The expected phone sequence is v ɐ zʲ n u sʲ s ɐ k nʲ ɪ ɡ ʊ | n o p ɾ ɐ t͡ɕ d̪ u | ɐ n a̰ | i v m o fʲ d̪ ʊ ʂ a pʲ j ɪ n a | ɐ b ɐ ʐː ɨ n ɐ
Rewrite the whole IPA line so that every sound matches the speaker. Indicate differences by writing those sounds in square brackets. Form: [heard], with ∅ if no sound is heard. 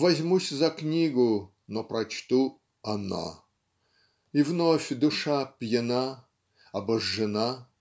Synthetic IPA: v ɐ zʲ [m] u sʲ [z] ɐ k nʲ [i] ɡ ʊ | n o p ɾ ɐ t͡ɕ [t̪] u | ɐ n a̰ | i v [n] o fʲ d̪ ʊ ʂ a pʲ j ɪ n a | ɐ b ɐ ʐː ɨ n [a]